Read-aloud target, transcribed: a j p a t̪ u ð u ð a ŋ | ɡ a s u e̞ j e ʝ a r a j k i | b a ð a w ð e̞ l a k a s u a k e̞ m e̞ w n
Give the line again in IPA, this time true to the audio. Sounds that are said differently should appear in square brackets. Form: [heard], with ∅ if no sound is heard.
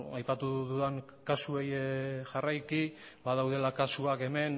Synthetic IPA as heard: a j p a t̪ u ð u ð a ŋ | [k] a s u e̞ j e ʝ a r a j k i | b a ð a w ð e̞ l a k a s u a k e̞ m e̞ [∅] n